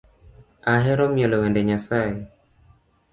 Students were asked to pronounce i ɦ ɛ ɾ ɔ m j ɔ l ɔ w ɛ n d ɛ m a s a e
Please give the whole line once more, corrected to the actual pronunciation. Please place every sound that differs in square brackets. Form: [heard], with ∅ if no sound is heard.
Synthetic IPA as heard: [a] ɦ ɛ ɾ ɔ m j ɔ l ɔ w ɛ n d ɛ [ɲ] a s a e